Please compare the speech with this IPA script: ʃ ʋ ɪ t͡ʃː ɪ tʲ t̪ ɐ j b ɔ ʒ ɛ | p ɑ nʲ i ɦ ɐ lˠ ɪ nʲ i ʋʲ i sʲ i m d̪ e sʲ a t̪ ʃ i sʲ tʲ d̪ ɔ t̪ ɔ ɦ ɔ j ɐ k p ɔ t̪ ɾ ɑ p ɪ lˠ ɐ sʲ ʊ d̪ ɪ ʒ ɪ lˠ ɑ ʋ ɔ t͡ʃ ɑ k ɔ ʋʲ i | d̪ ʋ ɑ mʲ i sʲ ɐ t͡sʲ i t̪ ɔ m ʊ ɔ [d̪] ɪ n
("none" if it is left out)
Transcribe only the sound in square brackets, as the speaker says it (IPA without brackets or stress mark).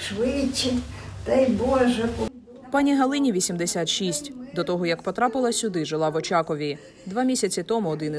d̪